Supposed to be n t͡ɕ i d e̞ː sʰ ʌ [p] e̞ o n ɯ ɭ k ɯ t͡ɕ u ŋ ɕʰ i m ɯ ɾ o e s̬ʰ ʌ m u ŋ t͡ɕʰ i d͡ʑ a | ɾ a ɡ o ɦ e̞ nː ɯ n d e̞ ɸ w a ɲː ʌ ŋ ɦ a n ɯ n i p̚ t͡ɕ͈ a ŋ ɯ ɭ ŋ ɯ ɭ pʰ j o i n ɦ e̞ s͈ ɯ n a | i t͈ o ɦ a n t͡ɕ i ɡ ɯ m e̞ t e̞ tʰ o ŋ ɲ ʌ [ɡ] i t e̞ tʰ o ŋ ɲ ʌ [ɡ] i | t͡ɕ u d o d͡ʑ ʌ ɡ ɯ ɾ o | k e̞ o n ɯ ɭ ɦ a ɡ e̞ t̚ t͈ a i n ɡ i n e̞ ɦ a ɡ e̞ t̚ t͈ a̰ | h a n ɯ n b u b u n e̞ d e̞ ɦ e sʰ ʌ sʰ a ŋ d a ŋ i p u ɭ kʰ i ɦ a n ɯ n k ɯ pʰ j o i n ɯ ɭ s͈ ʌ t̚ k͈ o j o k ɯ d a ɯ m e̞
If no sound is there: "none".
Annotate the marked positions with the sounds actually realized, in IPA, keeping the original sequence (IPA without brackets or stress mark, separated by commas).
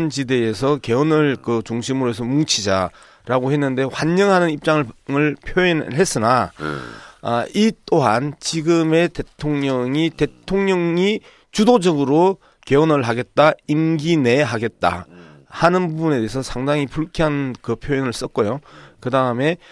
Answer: k, ŋ, ŋ